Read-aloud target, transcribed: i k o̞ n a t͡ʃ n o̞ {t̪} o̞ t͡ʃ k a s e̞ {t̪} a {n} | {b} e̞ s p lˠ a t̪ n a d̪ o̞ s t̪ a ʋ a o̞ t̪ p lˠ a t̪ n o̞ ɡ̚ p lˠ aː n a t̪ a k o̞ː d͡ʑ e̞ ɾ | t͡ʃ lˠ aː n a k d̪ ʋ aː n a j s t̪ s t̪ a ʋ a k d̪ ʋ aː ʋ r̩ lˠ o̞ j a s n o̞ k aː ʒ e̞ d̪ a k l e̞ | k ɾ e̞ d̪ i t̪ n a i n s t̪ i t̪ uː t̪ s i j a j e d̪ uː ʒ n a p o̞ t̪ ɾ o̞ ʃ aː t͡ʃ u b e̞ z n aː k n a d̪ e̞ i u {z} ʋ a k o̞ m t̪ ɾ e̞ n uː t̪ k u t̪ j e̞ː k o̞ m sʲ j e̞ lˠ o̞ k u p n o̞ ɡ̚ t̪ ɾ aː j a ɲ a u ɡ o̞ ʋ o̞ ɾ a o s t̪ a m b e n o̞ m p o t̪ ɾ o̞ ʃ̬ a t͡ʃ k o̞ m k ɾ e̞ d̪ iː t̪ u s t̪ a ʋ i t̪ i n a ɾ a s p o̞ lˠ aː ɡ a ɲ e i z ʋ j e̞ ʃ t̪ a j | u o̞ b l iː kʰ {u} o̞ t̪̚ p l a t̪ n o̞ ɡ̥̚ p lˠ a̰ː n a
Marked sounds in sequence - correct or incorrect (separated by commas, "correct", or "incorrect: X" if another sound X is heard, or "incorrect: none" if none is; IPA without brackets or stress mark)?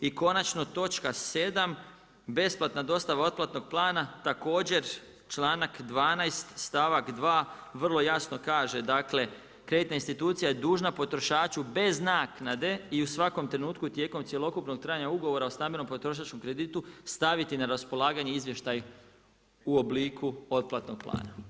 correct, incorrect: d̪, incorrect: m, correct, incorrect: s, correct